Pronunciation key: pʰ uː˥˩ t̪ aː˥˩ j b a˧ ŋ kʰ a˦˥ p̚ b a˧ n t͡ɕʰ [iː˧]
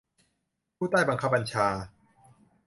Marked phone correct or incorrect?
incorrect